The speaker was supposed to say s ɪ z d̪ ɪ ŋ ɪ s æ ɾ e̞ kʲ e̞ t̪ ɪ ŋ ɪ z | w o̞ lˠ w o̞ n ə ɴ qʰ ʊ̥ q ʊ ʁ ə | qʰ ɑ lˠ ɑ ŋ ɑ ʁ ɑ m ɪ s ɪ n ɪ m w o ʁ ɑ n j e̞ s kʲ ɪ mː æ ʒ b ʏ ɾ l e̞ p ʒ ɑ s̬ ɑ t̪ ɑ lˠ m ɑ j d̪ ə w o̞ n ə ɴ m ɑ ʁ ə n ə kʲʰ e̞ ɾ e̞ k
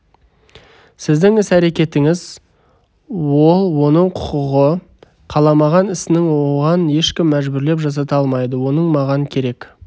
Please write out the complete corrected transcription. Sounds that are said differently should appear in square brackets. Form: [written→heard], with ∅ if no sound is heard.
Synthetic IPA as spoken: s ɪ z d̪ ɪ ŋ ɪ s æ ɾ e̞ kʲ e̞ t̪ ɪ ŋ ɪ z | w o̞ lˠ w o̞ n ə ɴ qʰ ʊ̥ q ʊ ʁ ə | qʰ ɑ lˠ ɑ [ŋ→m] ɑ ʁ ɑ [m→n] ɪ s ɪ n ɪ [m→ŋ] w o ʁ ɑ n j e̞ [s→ʃ] kʲ ɪ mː æ ʒ b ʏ ɾ l e̞ p ʒ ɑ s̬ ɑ t̪ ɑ lˠ m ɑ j d̪ ə w o̞ n ə ɴ m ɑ ʁ [ə→ɑ] n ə kʲʰ e̞ ɾ e̞ k